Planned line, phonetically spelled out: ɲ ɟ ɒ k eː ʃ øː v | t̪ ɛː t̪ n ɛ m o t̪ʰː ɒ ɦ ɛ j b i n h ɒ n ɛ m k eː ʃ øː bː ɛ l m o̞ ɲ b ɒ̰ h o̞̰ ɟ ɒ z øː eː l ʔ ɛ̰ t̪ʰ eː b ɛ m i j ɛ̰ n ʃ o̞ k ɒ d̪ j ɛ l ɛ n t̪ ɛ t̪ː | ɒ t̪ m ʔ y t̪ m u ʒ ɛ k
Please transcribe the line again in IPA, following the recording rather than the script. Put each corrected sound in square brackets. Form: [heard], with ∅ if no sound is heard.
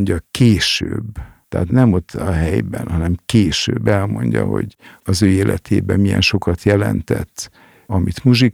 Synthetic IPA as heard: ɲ ɟ ɒ k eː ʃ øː [b] | t̪ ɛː t̪ n ɛ m o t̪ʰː ɒ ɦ ɛ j b [ɛ] n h ɒ n ɛ m k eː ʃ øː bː ɛ l m o̞ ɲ [ɟ] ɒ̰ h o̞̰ ɟ ɒ z øː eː l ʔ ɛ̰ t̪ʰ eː b ɛ m i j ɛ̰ n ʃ o̞ k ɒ [t̪] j ɛ l ɛ n t̪ ɛ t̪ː | ɒ [∅] m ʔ [i] t̪ m u ʒ [i] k